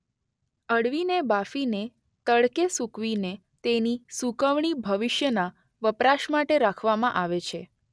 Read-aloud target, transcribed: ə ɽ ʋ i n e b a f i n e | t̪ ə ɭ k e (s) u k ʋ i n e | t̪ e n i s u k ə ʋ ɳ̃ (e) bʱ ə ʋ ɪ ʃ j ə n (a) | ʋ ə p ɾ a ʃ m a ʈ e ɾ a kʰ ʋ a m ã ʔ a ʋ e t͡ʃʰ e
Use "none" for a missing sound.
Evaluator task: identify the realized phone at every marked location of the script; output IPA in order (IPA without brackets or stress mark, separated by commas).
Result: s, i, a